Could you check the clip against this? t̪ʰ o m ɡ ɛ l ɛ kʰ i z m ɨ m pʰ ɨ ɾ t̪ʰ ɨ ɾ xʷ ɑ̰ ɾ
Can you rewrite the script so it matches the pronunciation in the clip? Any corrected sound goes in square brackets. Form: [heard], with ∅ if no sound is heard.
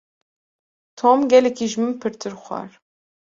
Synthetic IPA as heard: t̪ʰ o m ɡ ɛ l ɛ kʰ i [ʒ] m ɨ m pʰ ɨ ɾ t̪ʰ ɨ ɾ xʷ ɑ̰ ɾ